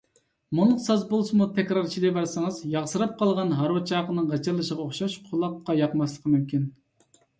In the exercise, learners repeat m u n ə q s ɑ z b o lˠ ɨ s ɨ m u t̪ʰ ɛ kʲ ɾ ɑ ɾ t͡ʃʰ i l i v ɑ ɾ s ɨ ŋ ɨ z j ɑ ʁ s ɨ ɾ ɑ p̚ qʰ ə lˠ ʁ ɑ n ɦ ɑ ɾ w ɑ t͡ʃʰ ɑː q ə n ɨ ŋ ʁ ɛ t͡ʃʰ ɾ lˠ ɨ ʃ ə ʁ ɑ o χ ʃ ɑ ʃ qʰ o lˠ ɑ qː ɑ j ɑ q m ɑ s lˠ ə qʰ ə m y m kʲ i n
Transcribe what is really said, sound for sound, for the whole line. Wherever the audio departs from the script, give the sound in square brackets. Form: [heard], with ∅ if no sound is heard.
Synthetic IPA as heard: m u n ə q s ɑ z b o lˠ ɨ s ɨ m u t̪ʰ ɛ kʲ ɾ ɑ ɾ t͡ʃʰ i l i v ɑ ɾ s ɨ ŋ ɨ z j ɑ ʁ s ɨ ɾ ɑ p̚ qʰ [ɑ] lˠ ʁ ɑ n ɦ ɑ ɾ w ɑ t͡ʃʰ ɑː q ə n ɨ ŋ ʁ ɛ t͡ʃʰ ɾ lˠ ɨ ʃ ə ʁ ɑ o χ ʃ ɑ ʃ qʰ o lˠ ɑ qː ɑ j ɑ q m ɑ s lˠ ə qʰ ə m y m kʲ i n